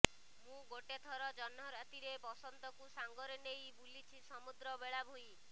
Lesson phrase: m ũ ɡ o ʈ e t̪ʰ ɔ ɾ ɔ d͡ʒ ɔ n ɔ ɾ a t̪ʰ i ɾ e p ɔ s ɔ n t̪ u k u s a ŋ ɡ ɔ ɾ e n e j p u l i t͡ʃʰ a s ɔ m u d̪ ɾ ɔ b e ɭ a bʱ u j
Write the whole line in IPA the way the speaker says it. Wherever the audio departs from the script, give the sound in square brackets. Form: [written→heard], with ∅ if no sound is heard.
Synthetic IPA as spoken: m ũ ɡ o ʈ e t̪ʰ ɔ ɾ ɔ d͡ʒ ɔ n ɔ ɾ a [t̪ʰ→t̪] i ɾ e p ɔ s ɔ n t̪ [u→ɔ] k u s a ŋ ɡ ɔ ɾ e n e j [p→b] u l i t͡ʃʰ [a→i] s ɔ m u d̪ ɾ ɔ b e ɭ a bʱ u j

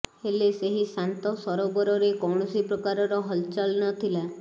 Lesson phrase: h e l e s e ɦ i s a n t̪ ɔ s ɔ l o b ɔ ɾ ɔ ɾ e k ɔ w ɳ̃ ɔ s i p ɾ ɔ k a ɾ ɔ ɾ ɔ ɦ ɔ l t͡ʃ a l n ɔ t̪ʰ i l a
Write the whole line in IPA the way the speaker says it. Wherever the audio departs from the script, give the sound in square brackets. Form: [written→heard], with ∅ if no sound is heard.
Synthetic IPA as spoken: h e l e s e ɦ i s a n t̪ ɔ s ɔ [l→ɾ] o b ɔ ɾ ɔ ɾ e k ɔ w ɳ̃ ɔ s i p ɾ ɔ k a ɾ ɔ ɾ ɔ ɦ ɔ l t͡ʃ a l n ɔ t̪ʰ i l a

